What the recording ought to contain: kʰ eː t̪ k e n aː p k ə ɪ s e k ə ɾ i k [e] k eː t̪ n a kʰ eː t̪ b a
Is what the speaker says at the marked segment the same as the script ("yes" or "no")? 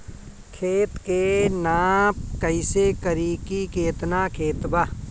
no